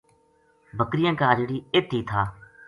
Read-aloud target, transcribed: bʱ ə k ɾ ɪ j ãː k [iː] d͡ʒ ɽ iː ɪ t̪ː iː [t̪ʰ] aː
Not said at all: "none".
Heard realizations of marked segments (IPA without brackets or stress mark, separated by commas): aː, t̪ʰ